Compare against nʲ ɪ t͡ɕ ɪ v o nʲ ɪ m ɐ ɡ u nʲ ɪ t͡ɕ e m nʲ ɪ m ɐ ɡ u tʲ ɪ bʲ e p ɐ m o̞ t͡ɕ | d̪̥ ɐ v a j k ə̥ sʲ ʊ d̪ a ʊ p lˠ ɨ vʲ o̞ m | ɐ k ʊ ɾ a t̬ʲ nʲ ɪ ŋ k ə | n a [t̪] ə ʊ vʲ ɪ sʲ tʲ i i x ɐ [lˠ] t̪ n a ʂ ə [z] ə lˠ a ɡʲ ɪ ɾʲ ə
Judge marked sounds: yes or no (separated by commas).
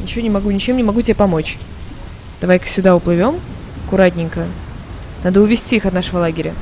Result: no, no, no